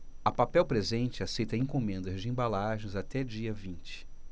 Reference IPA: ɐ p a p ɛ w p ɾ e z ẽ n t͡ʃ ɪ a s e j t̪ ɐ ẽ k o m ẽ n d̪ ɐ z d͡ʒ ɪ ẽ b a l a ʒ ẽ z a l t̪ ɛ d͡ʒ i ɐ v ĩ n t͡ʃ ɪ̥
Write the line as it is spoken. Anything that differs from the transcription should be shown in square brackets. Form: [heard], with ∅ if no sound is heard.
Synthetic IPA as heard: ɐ p a p ɛ w p ɾ e z ẽ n t͡ʃ ɪ a s e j t̪ ɐ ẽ k o m ẽ n d̪ ɐ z d͡ʒ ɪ ẽ b a l a ʒ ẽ z a [∅] t̪ ɛ d͡ʒ i ɐ v ĩ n t͡ʃ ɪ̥